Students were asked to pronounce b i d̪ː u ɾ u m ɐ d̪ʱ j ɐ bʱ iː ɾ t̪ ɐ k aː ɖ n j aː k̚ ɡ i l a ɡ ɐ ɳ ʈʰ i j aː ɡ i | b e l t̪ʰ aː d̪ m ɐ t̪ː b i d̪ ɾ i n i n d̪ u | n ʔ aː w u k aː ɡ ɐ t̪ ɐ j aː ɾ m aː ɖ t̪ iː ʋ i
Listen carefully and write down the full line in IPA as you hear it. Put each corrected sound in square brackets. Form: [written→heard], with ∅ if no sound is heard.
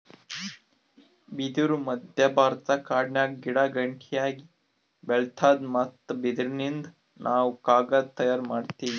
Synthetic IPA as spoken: b i [d̪ː→d̪] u ɾ u m ɐ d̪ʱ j ɐ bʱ [iː→aː] ɾ t̪ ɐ k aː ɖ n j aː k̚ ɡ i [l→ɽ] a ɡ ɐ ɳ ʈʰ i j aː ɡ i | b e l t̪ʰ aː d̪ m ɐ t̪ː b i d̪ ɾ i n i n d̪ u | n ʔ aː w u k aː ɡ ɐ t̪ ɐ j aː ɾ m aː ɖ t̪ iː ʋ i